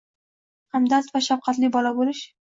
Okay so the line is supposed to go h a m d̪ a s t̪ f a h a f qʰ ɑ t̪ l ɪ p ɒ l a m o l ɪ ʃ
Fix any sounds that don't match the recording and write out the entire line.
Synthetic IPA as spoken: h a m d̪ a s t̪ v a ʃ a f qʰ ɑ t̪ l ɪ b ɒ l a b o l ɪ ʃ